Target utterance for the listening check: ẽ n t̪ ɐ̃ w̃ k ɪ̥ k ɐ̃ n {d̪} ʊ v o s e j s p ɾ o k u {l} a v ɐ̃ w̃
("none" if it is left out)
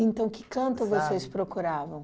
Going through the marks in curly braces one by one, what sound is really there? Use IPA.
t̪, ɾ

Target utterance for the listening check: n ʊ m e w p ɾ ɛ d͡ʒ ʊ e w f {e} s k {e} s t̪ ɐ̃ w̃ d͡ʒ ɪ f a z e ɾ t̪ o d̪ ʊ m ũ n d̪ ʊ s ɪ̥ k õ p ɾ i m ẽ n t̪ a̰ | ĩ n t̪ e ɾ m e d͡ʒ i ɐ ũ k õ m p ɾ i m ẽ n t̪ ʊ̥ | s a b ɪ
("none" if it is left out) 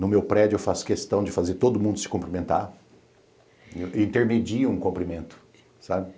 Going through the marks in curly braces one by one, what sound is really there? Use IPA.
a, e

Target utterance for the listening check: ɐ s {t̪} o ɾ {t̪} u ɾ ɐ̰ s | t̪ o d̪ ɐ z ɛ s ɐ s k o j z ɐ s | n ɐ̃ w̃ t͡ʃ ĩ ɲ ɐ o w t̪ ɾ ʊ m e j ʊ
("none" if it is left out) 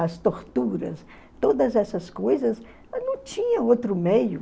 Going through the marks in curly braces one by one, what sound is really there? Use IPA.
t̪, t̪

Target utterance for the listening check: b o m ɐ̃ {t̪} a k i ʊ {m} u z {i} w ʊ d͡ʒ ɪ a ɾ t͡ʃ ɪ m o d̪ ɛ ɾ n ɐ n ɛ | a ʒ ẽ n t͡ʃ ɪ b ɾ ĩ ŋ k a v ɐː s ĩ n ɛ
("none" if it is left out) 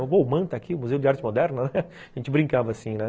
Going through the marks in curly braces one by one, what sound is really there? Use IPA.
t̪, m, e

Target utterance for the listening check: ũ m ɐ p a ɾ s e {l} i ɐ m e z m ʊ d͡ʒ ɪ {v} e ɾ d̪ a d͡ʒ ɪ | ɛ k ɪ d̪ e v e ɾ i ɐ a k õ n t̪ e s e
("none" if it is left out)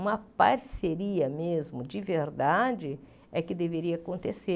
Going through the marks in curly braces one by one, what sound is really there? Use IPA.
ɾ, v

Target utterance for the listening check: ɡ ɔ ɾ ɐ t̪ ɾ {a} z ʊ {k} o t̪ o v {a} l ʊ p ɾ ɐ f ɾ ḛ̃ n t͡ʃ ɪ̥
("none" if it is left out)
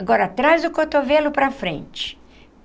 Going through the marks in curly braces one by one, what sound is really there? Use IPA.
a, k, e

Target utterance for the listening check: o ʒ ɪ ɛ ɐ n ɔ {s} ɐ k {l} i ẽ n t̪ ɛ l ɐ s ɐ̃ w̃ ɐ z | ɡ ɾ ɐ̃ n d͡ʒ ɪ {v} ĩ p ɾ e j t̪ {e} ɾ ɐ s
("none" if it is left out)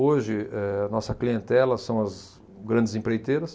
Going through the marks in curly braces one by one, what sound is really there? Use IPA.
s, l, z, e

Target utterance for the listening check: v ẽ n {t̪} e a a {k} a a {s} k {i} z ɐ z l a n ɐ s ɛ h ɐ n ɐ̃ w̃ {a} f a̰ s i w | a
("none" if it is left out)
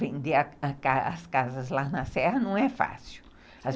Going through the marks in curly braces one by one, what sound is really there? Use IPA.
d̪, k, s, a, ɛ

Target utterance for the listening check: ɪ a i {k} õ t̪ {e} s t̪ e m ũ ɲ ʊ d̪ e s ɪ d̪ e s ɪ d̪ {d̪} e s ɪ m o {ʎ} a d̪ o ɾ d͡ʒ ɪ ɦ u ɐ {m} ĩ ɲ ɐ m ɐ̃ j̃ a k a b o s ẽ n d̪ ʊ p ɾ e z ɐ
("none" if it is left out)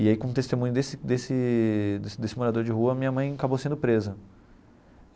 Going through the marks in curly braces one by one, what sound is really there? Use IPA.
k, e, d̪, ɾ, m

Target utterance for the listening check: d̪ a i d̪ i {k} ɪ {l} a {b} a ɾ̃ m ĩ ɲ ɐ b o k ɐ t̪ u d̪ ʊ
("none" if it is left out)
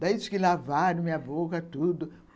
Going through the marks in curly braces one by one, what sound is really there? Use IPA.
k, l, v

